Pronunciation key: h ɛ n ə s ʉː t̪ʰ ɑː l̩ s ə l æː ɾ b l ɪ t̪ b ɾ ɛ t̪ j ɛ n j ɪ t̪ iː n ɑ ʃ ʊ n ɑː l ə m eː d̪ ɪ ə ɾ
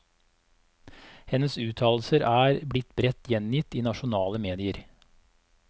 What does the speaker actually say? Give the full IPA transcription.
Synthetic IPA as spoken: h ɛ n ə s ʉː t̪ʰ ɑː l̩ s ə ɾ æː ɾ b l ɪ t̪ b ɾ ɛ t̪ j ɛ n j ɪ t̪ iː n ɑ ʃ ʊ n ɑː l ə m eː d̪ ɪ ə ɾ